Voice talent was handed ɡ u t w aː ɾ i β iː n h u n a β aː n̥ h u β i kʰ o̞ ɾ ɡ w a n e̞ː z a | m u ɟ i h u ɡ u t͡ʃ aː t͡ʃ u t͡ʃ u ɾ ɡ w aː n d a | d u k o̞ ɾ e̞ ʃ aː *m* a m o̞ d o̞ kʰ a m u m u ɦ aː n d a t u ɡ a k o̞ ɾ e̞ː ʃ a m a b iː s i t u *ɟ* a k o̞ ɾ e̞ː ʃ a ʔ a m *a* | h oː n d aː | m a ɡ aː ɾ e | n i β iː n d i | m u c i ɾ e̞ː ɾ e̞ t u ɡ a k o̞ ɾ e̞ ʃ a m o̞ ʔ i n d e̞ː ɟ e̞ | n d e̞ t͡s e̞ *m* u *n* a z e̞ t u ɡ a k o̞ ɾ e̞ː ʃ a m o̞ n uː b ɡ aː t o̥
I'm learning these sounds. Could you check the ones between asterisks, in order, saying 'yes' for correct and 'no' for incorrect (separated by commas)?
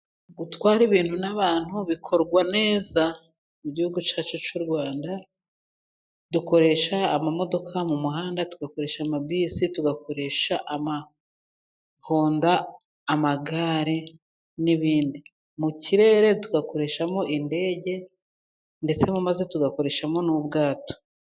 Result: yes, no, yes, yes, no